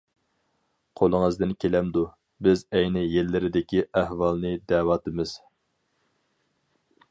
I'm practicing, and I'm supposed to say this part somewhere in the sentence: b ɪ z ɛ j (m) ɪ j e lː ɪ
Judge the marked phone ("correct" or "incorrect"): incorrect